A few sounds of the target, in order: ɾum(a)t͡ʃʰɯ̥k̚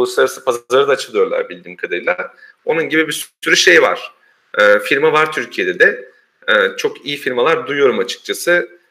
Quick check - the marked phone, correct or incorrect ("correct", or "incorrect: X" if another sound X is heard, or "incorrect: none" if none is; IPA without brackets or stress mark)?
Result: correct